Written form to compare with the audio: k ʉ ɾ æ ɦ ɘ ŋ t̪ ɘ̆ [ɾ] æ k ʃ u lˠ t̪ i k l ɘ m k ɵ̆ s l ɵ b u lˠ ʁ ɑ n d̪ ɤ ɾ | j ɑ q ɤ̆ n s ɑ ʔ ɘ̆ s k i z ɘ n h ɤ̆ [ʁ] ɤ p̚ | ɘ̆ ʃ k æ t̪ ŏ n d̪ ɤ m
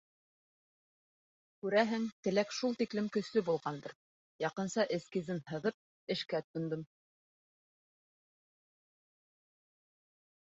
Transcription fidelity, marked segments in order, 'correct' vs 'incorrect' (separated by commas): incorrect, incorrect